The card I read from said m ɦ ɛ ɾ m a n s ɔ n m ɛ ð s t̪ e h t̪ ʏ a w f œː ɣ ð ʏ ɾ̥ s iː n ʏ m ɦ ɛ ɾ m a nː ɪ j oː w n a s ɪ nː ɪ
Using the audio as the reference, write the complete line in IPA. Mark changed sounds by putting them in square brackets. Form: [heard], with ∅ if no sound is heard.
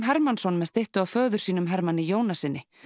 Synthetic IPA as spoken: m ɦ ɛ ɾ m a n s ɔ n m ɛ ð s t̪ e h t̪ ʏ a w f œː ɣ ð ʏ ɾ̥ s iː n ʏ m ɦ ɛ ɾ m a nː ɪ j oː w n a s ɪ nː ɪ